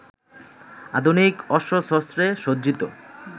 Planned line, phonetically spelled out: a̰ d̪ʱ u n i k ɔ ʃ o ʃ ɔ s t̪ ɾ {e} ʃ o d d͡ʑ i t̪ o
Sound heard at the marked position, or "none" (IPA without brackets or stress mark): e